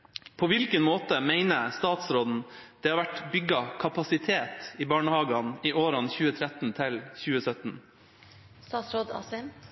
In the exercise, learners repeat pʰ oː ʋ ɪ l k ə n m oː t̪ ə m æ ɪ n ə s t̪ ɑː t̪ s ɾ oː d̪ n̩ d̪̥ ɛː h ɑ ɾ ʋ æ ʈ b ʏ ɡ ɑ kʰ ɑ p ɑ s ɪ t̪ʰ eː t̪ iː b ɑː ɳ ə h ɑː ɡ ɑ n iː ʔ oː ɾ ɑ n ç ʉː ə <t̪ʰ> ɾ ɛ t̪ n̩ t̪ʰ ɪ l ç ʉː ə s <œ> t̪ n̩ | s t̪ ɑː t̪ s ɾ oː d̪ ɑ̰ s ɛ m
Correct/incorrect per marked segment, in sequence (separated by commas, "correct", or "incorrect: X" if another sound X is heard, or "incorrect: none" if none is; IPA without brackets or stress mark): correct, correct